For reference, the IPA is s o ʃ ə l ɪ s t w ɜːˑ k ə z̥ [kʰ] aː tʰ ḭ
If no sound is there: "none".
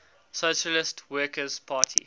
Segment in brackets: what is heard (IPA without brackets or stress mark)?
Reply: pʰ